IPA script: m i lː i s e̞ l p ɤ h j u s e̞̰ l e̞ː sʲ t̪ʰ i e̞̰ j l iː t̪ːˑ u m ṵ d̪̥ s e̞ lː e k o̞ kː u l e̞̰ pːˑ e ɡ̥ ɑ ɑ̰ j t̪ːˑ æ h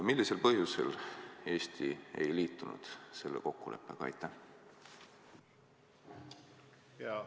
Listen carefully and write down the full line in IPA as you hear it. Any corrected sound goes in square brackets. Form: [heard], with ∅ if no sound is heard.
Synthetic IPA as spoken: m i lː i s e̞ l p ɤ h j u s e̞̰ l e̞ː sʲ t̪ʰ i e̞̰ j l iː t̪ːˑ u [n] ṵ d̪̥ s e̞ lː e k o̞ kː u l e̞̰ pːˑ e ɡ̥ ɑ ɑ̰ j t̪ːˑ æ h